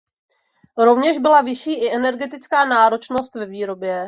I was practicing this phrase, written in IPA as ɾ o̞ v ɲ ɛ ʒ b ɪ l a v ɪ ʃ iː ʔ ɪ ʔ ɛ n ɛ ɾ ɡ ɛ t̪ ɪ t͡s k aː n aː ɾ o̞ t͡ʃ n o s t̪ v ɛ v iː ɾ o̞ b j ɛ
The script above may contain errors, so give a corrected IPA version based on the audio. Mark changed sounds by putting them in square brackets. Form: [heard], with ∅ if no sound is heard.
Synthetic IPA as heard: ɾ o̞ v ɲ ɛ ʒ b ɪ l a v ɪ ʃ iː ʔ ɪ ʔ ɛ n ɛ ɾ ɡ ɛ t̪ ɪ t͡s k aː n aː ɾ o̞ t͡ʃ n o s t̪ v ɛ v iː ɾ o̞ b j ɛ